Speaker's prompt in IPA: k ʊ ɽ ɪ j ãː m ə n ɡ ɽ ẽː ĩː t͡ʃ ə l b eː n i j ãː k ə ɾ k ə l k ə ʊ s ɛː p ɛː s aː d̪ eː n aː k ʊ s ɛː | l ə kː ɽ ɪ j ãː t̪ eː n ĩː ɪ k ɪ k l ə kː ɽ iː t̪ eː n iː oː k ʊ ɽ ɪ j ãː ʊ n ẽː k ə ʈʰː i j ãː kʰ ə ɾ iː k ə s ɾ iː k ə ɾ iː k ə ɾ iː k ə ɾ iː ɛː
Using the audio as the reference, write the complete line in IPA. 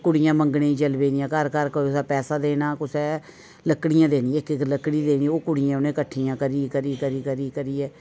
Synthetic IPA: k ʊ ɽ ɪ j ãː m ə ŋ ɡ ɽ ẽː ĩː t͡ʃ ə l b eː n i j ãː k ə ɾ k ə ɾ k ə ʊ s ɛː p ɛː s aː d̪ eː n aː k ʊ s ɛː | l ə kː ɽ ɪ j ãː d̪ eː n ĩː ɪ k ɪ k l ə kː ɽ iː d̪ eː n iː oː k ʊ ɽ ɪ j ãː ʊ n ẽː k ə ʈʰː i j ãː k ə ɾ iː k ə ɾ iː k ə ɾ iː k ə ɾ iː k ə ɾ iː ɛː